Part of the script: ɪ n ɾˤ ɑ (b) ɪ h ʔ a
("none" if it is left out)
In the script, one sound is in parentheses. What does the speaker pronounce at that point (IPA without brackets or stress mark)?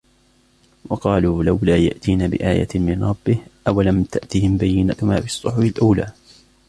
bː